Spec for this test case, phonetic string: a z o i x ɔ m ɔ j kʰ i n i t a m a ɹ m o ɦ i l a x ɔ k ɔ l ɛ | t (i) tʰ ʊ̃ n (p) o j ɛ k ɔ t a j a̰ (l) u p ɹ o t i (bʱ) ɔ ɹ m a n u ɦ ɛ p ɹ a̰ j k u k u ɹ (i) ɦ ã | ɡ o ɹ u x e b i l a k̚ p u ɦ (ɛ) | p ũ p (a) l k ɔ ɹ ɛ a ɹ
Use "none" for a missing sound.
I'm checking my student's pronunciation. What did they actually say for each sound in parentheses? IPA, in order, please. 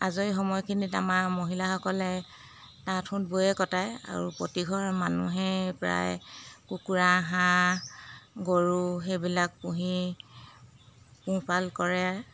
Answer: a, b, ɹ, ɡʱ, a, i, a

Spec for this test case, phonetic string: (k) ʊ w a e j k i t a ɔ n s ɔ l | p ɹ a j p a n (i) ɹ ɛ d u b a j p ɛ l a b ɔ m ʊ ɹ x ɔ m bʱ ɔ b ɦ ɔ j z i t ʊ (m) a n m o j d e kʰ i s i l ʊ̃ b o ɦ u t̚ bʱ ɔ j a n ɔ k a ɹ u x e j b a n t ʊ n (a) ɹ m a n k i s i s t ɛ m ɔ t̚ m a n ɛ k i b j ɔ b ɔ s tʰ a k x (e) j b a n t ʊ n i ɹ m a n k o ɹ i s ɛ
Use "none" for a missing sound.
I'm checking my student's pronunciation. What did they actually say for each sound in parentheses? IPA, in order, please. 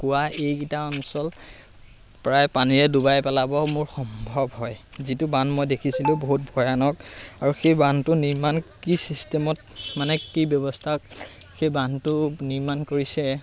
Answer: k, i, b, i, e

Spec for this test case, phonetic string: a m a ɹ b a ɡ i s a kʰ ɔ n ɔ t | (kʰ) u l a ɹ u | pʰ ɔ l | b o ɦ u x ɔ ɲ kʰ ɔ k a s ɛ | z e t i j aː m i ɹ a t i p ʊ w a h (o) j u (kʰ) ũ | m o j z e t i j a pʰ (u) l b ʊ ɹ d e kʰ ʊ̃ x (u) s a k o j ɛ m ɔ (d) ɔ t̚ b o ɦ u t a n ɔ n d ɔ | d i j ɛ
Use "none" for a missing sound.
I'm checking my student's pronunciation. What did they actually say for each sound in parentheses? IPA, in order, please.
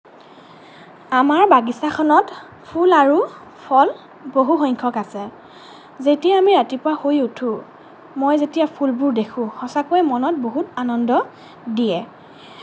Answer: pʰ, o, tʰ, u, ɔ, n

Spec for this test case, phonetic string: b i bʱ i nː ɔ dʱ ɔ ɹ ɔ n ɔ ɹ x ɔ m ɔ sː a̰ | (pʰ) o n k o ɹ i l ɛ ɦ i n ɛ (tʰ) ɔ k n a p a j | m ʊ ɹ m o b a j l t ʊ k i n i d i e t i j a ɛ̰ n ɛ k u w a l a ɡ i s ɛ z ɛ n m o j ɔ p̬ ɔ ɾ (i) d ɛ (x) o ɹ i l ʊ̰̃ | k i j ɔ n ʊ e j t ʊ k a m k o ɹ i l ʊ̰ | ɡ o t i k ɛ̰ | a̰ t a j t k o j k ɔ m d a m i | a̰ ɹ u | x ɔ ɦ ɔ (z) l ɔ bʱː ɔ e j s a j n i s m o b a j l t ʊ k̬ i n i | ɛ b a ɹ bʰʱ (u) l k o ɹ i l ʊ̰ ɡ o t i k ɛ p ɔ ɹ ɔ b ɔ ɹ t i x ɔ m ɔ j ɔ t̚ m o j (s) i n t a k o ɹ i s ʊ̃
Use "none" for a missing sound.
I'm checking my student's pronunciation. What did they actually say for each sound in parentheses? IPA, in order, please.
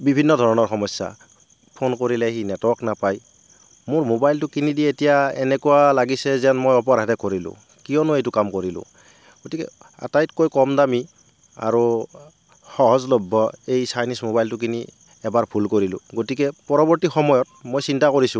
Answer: pʰ, t, a, k, z, u, s

